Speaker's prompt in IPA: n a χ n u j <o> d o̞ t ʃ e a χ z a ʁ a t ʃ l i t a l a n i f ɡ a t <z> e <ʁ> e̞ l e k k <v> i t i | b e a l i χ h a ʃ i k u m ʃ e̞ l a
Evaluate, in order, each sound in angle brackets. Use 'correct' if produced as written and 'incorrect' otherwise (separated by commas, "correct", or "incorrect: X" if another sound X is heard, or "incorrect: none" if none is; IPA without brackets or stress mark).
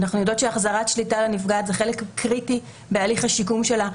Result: correct, correct, incorrect: χ, incorrect: ʁ